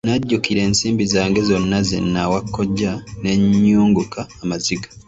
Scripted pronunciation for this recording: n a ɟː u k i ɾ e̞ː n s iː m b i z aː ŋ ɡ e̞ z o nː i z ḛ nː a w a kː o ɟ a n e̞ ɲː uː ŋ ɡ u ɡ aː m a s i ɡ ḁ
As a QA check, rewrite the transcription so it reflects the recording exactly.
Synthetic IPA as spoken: n a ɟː u k i ɾ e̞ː n s iː m b i z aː ŋ ɡ e̞ z o nː a z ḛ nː a w a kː o ɟ a n e̞ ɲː uː ŋ ɡ u k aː m a z i ɡ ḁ